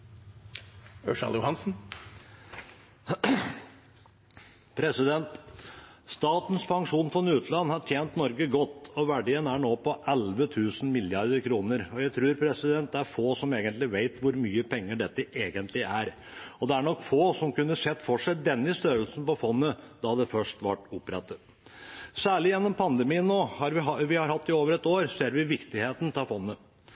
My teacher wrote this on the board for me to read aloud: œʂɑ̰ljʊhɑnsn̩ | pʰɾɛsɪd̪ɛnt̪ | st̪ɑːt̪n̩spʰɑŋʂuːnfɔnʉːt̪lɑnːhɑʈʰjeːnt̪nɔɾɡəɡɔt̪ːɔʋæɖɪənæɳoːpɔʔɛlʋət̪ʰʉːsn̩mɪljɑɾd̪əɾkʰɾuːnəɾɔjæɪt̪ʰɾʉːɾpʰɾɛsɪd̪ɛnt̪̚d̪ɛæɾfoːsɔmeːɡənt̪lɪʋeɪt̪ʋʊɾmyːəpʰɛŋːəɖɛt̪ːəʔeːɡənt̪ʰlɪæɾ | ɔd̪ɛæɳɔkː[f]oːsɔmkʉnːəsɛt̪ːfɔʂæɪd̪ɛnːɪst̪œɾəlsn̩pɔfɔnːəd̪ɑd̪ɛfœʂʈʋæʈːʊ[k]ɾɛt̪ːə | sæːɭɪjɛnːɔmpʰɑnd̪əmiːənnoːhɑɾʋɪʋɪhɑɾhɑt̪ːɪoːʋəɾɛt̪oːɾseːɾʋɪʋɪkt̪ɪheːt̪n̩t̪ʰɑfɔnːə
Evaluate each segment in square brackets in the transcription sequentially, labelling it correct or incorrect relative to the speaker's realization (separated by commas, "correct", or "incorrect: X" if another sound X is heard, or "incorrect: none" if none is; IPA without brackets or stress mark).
correct, incorrect: p